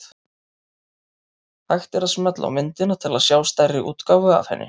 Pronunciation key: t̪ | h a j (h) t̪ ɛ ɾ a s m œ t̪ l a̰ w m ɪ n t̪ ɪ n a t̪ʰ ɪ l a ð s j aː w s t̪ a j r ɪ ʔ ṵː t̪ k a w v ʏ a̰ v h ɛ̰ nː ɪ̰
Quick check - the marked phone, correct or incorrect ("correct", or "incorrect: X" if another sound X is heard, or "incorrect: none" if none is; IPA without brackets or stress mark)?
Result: incorrect: x